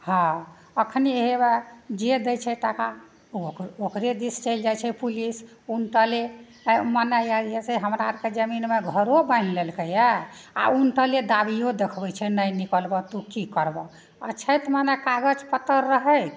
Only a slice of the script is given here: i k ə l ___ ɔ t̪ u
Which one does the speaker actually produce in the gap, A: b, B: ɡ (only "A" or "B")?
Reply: A